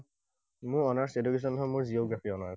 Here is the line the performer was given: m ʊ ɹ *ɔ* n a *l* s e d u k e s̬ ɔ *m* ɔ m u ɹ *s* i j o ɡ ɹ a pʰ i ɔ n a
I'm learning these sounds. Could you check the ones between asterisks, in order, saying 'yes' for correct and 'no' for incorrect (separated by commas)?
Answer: yes, no, no, no